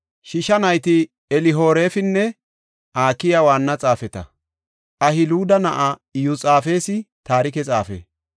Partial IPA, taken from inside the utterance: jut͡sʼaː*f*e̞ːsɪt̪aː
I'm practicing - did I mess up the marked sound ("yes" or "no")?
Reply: no